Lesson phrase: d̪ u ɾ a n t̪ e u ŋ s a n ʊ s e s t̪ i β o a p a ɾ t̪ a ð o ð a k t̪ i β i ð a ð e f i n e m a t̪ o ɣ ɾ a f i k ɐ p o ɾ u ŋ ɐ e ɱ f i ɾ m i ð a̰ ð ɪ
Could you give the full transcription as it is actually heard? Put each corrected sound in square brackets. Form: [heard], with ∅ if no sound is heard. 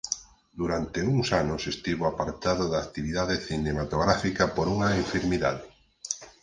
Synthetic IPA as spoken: d̪ u ɾ a n t̪ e u ŋ s a n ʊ s e s t̪ i β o a p a ɾ t̪ a ð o ð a k t̪ i β i ð a ð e [θ] i n e m a t̪ o ɣ ɾ a f i k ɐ p o ɾ u ŋ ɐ e ɱ f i ɾ m i ð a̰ ð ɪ